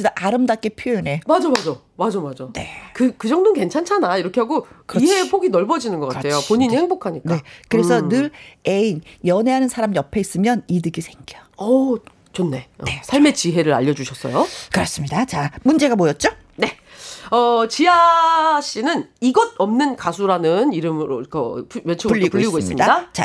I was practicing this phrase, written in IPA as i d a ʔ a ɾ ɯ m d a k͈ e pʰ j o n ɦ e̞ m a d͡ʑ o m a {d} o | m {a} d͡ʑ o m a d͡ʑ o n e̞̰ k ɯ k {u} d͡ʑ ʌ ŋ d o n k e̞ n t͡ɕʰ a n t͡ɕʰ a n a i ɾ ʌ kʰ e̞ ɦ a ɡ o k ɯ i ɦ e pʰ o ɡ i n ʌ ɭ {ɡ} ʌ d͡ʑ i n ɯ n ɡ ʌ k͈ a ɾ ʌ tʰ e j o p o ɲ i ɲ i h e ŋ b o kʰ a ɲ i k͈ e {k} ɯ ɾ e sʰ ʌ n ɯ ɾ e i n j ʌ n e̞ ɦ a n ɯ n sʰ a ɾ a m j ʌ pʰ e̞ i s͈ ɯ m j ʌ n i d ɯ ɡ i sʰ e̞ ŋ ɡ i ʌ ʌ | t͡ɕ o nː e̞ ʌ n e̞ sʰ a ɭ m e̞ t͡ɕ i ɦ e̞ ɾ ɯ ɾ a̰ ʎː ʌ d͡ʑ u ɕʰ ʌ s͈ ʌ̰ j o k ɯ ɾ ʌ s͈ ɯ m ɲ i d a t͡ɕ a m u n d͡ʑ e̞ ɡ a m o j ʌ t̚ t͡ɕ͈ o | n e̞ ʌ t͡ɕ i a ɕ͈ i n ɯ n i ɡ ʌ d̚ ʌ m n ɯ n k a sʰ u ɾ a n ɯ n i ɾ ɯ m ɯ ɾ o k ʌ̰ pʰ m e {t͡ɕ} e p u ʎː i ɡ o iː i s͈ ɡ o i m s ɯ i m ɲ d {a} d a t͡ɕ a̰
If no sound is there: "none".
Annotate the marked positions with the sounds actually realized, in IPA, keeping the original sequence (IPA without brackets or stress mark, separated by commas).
d͡ʑ, a, ɯ, b, k, t͡ɕʰ, a